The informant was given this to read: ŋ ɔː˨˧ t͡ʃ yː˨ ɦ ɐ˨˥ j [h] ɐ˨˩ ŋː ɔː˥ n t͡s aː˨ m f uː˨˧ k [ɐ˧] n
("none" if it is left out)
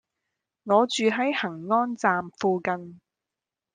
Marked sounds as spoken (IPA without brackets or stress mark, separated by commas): h, ɐ˧